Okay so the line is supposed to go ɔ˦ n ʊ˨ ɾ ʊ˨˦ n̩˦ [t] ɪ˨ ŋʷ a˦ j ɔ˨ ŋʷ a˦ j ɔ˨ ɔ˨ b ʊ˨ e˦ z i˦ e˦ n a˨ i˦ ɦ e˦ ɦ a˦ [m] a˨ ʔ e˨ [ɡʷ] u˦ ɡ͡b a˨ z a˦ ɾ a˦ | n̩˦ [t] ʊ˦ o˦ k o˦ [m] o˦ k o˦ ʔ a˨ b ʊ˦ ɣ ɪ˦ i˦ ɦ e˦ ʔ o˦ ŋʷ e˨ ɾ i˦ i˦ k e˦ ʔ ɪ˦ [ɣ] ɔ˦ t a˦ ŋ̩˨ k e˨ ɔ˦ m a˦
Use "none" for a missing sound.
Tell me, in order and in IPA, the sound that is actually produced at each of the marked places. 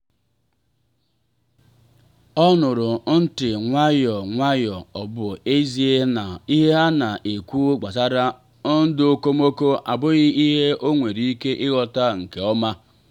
t, n, kʷ, d, m, ɣ

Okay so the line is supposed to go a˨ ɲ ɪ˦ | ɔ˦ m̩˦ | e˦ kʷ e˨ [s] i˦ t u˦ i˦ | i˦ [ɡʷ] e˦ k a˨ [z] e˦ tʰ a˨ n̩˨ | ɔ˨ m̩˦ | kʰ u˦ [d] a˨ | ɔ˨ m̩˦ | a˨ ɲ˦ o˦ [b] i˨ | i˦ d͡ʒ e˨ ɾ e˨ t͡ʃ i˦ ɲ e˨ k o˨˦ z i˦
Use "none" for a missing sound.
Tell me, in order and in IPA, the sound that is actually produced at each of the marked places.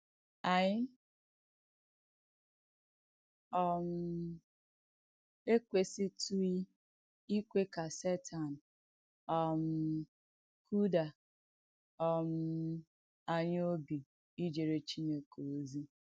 s, kʷ, s, d, b

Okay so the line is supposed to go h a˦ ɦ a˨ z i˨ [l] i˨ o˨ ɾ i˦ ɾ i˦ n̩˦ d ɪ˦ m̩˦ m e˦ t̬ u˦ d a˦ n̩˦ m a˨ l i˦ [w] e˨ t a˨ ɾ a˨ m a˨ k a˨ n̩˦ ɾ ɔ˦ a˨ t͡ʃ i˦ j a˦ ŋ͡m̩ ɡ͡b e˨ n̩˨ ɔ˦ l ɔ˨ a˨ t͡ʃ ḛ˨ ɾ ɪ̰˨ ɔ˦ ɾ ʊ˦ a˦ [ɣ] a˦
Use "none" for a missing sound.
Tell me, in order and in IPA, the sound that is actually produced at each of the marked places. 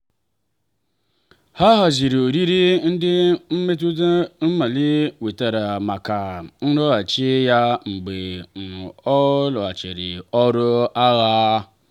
ɾ, w, ɣ

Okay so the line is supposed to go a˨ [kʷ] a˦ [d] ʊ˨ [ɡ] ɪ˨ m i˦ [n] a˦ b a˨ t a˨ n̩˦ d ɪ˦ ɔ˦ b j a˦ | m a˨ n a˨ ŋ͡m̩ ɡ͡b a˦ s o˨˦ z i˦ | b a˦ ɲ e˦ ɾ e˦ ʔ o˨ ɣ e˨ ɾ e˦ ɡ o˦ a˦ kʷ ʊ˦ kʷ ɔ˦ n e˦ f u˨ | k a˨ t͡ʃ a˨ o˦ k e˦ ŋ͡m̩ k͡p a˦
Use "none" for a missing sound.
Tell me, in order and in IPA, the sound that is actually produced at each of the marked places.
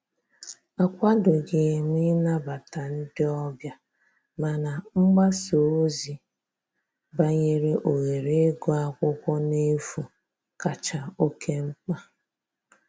kʷ, d, ɡ, n

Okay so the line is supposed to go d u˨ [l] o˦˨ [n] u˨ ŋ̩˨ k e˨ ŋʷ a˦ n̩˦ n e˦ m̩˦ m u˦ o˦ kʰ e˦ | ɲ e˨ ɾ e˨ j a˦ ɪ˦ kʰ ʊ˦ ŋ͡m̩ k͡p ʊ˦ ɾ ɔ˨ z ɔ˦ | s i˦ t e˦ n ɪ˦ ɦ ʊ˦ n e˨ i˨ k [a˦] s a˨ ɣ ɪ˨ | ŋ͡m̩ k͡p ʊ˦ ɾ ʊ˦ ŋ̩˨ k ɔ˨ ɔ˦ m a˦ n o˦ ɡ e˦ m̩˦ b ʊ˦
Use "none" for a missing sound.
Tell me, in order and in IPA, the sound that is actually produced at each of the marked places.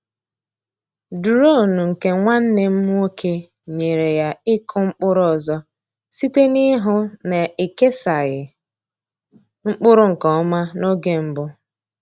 ɾ, n, e˦

